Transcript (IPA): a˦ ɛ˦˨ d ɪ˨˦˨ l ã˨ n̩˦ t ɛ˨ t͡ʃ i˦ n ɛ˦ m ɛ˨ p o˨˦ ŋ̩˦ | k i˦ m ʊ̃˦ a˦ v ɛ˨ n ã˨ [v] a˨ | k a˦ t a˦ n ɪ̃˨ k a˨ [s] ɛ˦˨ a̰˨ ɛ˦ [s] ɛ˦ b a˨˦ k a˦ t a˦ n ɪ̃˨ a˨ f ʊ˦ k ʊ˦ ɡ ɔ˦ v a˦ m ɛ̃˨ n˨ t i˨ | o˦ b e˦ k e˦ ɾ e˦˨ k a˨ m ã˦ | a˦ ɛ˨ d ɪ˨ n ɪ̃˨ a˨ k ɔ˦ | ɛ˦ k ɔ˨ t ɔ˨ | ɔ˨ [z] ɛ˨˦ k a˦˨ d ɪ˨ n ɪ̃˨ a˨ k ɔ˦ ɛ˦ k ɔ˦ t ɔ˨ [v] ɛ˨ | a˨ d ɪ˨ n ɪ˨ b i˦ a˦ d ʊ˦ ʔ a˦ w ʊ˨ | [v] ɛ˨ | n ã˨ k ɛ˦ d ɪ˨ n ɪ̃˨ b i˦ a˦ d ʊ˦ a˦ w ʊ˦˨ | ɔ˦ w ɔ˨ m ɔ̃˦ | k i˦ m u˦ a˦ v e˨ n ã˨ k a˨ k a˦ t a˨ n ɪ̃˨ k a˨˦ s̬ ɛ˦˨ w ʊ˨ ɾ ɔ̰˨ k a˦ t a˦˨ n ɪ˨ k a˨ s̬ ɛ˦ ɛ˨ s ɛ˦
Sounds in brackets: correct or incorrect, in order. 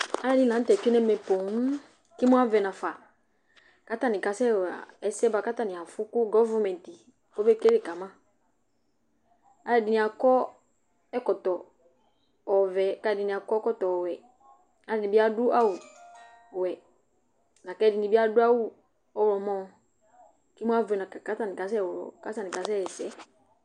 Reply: incorrect, correct, correct, incorrect, incorrect, incorrect

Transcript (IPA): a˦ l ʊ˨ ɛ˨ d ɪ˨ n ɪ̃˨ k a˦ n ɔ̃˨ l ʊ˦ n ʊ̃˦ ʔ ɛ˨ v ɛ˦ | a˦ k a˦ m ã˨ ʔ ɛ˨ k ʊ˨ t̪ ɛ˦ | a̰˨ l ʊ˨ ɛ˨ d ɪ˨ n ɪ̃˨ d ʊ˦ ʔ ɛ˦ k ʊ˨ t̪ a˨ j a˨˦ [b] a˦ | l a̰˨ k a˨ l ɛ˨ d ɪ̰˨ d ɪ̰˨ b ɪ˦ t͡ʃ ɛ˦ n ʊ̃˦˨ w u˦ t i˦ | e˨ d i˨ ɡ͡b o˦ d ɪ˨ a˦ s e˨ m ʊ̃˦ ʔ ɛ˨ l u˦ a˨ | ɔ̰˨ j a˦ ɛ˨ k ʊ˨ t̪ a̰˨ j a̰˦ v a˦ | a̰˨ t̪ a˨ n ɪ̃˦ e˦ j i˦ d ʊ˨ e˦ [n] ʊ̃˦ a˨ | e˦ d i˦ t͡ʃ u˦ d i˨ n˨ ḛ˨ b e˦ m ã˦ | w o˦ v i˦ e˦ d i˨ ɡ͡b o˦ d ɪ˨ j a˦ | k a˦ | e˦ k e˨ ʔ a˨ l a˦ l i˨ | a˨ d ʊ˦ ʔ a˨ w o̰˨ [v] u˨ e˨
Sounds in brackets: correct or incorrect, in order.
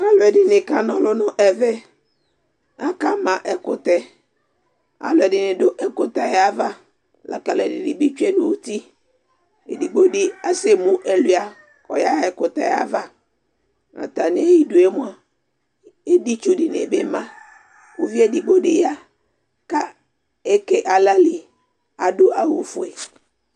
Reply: incorrect, incorrect, incorrect

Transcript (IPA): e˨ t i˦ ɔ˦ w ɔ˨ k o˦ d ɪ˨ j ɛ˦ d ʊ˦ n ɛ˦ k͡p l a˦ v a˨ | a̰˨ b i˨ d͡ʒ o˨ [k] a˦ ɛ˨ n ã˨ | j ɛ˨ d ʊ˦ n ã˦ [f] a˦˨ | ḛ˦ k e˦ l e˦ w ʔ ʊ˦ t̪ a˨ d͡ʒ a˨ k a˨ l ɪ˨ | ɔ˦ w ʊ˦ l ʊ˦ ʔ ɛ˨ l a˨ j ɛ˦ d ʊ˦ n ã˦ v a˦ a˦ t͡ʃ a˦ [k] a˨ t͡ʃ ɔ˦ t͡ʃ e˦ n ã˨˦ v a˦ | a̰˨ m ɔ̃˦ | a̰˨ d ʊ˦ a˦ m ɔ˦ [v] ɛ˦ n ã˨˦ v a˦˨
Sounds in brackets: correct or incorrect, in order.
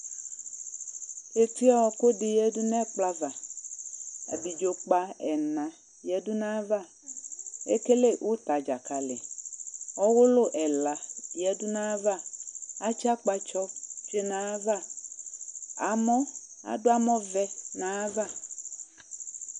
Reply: incorrect, incorrect, incorrect, correct

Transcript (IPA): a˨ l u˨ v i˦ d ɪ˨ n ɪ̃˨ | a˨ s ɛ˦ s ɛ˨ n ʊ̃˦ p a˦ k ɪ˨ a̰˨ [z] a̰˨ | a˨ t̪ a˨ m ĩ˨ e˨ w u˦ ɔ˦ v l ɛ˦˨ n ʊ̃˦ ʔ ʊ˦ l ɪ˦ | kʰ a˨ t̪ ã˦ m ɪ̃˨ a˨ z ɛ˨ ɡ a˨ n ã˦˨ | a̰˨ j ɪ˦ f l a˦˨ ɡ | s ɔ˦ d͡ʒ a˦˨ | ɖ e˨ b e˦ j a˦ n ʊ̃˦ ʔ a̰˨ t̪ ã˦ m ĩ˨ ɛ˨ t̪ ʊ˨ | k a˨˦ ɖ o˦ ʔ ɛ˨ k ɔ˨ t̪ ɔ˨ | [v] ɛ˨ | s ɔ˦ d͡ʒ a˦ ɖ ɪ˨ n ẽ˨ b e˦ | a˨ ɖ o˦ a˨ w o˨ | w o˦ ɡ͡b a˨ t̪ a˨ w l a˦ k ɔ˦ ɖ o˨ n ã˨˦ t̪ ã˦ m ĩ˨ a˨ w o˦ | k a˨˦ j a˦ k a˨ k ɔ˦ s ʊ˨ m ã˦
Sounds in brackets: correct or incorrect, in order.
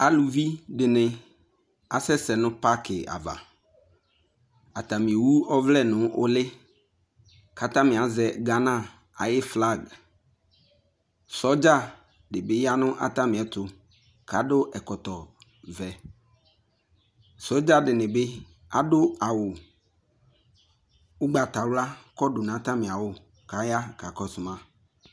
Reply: incorrect, correct

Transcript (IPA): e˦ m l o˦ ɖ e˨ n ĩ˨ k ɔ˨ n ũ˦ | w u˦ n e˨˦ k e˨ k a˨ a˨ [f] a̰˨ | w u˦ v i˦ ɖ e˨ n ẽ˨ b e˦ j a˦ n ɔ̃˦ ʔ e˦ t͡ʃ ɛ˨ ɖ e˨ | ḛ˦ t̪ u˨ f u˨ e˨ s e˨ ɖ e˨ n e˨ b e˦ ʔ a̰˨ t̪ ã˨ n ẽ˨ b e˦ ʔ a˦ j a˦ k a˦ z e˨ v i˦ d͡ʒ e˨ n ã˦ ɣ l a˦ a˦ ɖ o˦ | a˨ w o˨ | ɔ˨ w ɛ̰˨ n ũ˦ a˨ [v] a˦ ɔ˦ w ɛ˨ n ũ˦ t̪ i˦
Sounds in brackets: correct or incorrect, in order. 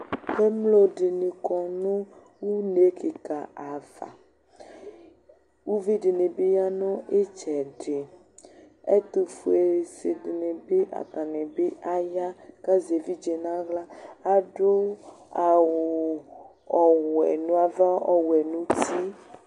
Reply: incorrect, correct

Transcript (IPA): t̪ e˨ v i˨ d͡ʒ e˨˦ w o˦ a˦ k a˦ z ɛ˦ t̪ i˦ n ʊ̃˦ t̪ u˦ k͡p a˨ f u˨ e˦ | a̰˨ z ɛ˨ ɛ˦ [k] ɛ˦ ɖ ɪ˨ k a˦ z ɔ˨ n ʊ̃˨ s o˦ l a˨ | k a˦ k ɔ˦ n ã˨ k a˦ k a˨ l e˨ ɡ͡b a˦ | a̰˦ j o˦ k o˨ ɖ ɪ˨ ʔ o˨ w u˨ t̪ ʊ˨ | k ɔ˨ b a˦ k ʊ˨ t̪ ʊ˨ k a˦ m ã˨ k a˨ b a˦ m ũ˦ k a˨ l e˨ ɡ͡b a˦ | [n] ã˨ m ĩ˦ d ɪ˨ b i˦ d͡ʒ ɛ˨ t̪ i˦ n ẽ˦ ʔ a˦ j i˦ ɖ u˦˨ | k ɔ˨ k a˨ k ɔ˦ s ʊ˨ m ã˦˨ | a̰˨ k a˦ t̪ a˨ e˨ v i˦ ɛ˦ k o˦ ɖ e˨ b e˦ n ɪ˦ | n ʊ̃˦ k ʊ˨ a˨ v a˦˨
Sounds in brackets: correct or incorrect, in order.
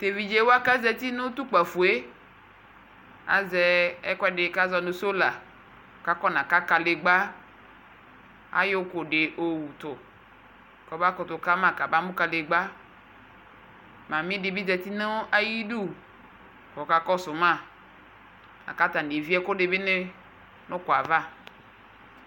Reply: correct, incorrect

